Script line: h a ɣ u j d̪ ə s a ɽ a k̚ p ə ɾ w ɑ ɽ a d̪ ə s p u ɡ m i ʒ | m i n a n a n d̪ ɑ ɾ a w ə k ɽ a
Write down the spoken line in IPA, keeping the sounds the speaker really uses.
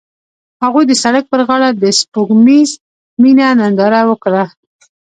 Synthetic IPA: h a ɣ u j d̪ ə s a ɽ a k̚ p ə ɾ ɣ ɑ ɽ a d̪ ə s p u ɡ m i z | m i n a n a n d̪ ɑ ɾ a w ə k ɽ a